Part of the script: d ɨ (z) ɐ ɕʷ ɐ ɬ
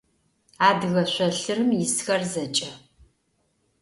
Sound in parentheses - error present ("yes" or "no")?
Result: yes